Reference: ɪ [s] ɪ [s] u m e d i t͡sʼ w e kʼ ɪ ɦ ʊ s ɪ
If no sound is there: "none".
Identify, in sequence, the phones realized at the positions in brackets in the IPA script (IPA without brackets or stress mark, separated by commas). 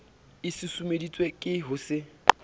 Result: s, s